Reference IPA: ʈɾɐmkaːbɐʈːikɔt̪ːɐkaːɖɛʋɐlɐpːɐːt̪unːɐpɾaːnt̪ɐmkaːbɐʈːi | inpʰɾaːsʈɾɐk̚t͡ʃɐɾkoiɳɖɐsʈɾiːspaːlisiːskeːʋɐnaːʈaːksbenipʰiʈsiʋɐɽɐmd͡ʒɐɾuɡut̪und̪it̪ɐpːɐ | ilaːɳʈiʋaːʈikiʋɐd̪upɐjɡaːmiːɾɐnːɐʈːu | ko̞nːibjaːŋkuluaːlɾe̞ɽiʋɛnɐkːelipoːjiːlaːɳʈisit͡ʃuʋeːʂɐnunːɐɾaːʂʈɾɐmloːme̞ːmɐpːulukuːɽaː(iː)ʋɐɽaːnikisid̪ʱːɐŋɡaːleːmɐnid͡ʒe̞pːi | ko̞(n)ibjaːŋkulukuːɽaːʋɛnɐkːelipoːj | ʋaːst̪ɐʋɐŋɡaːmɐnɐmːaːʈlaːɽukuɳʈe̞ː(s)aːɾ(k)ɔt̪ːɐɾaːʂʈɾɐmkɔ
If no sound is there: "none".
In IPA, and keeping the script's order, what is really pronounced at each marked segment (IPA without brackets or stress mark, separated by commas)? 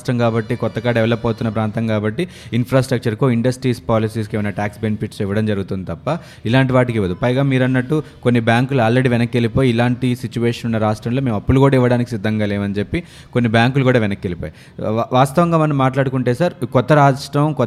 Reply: i, nː, s, k